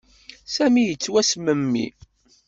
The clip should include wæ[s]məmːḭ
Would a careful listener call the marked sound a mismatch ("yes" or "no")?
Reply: no